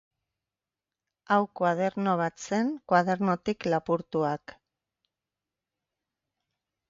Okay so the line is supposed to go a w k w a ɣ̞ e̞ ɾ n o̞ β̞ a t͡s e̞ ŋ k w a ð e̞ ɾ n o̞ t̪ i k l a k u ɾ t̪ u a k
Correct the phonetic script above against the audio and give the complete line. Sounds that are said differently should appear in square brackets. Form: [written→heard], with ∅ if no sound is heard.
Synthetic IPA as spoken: a w k w a [ɣ̞→ð̞] e̞ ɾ n o̞ β̞ a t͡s e̞ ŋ k w a ð e̞ ɾ n o̞ t̪ i k l a [k→p] u ɾ t̪ u a k

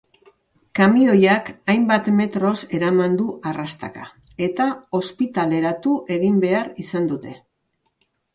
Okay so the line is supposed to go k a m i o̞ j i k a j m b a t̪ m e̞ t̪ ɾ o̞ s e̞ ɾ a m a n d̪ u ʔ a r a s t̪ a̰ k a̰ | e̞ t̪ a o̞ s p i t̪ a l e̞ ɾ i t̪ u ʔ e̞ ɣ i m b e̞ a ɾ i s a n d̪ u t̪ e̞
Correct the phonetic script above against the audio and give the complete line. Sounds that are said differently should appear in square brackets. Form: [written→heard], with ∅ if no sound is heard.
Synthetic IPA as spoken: k a m i o̞ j [i→a] k a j m b a t̪ m e̞ t̪ ɾ o̞ s e̞ ɾ a m a n d̪ u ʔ a r a s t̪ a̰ k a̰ | e̞ t̪ a o̞ s p i t̪ a l e̞ ɾ [i→a] t̪ u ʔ e̞ ɣ i m b e̞ a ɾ i s a n d̪ u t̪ e̞

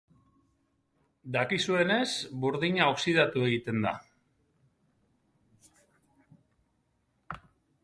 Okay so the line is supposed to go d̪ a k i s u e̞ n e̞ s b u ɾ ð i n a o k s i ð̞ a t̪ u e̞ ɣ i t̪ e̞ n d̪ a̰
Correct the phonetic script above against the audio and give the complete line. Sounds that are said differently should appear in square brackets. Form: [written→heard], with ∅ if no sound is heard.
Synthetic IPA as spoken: d̪ a k i s u e̞ n e̞ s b u ɾ ð i [n→ɲ] a o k s i ð̞ a t̪ u e̞ ɣ i t̪ e̞ n d̪ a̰

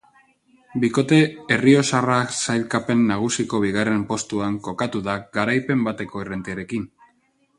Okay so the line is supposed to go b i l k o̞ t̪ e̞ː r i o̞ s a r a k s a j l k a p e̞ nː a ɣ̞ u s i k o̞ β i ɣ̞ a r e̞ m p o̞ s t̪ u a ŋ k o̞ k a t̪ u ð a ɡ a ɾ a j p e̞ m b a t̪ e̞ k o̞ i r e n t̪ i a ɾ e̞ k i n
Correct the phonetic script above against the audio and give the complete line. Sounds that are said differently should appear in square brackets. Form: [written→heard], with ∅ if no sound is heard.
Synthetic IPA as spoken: b i [l→∅] k o̞ t̪ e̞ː r i o̞ s a r a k s a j l k a p e̞ nː a ɣ̞ u s i k o̞ β i ɣ̞ a r e̞ m p o̞ s t̪ u a ŋ k o̞ k a t̪ u ð a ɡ a ɾ a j p e̞ m b a t̪ e̞ k o̞ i r e n t̪ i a ɾ e̞ k i n

